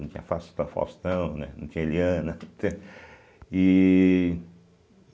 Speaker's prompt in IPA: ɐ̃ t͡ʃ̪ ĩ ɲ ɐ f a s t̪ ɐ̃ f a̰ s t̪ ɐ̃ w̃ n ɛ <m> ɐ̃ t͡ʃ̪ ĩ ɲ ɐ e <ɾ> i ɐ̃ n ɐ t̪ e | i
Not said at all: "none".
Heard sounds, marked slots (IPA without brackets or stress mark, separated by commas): n, l